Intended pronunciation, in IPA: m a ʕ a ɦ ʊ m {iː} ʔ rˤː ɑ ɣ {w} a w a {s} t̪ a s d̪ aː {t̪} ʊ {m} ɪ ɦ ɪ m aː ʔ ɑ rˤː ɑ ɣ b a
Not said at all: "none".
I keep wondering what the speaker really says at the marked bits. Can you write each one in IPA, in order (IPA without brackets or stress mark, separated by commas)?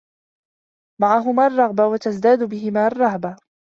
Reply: aː, b, none, d̪, b